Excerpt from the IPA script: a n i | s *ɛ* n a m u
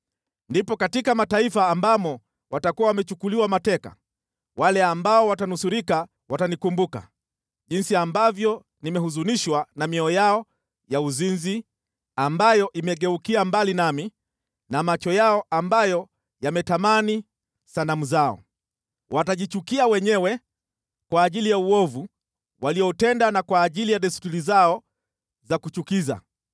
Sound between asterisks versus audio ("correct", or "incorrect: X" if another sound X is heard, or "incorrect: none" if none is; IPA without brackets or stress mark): incorrect: a